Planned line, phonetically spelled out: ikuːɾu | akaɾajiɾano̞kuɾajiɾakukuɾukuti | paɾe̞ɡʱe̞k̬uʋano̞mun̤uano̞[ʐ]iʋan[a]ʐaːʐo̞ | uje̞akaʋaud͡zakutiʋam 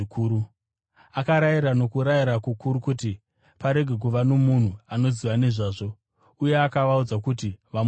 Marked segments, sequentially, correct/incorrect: incorrect, incorrect

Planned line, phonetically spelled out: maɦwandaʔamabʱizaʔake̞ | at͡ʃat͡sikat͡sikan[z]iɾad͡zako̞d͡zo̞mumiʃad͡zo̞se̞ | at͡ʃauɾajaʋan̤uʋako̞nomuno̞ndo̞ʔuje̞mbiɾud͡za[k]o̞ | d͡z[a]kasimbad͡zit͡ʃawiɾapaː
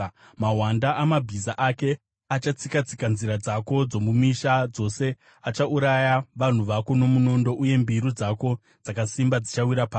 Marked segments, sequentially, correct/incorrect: correct, correct, correct

